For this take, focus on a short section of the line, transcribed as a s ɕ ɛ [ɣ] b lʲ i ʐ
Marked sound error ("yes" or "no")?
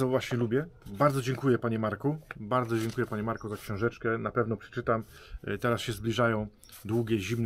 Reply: yes